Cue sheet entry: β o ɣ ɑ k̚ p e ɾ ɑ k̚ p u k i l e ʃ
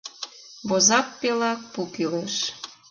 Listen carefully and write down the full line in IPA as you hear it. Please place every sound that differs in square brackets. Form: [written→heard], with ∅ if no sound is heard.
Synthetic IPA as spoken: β o [ɣ→z] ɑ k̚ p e [ɾ→l] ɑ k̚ p u k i l e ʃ